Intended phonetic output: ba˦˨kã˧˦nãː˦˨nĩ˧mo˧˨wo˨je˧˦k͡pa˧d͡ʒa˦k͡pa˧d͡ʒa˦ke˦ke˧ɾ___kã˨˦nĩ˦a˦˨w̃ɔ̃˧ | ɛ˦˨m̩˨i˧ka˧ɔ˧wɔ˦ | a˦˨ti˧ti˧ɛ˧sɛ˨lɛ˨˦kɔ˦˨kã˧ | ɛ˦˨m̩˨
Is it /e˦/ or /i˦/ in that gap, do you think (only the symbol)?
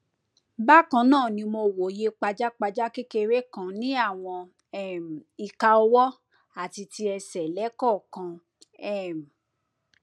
e˦